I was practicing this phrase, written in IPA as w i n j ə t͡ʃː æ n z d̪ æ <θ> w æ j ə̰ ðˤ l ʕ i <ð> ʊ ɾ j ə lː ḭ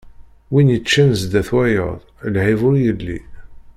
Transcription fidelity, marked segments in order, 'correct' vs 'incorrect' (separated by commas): correct, incorrect